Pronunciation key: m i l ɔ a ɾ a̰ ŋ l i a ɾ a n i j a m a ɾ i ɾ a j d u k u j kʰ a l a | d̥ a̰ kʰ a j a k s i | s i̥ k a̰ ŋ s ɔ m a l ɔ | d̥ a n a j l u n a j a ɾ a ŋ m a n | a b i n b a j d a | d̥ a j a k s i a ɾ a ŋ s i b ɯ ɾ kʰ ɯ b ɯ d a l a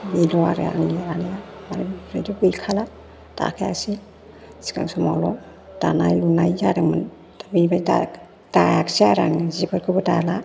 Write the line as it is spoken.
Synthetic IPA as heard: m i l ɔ a ɾ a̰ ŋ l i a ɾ a n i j a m a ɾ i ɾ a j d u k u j kʰ a l a | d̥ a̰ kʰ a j a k s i | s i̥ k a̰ ŋ s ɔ m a l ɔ | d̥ a n a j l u n a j a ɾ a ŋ m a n | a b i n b a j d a | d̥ a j a k s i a ɾ a ŋ z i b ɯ ɾ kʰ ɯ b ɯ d a l a